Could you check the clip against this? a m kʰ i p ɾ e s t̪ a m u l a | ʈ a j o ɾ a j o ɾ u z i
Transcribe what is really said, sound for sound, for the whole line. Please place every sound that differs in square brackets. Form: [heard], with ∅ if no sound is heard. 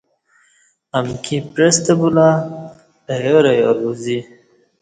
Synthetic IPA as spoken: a m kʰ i p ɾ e s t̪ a [b] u l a | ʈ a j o ɾ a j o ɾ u z i